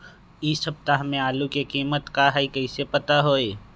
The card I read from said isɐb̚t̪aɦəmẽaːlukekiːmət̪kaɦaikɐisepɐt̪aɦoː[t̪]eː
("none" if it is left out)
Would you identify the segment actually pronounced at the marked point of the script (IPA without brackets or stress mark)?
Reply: none